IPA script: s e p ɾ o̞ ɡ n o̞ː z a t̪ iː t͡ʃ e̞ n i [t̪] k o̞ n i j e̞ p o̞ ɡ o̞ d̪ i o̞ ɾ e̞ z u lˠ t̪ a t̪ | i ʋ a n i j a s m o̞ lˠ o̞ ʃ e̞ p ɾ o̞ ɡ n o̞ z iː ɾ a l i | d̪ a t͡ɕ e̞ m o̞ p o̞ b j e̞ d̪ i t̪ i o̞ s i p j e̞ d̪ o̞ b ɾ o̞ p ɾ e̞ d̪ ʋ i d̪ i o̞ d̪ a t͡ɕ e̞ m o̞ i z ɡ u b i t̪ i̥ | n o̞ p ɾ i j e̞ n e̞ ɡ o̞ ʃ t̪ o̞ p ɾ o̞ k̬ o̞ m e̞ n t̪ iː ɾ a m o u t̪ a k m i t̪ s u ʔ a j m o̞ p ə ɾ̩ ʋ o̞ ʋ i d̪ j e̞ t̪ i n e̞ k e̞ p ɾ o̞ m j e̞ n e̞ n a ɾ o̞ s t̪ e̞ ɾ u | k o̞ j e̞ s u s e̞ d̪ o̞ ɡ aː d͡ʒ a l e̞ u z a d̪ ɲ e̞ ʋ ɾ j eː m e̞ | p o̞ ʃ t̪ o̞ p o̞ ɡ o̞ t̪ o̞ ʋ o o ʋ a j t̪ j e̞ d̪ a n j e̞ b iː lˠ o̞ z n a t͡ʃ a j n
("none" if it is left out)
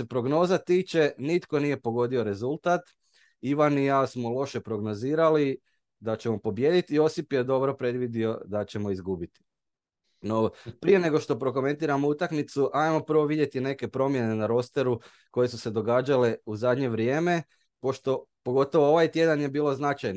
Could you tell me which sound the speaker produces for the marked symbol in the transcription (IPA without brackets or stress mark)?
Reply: t̪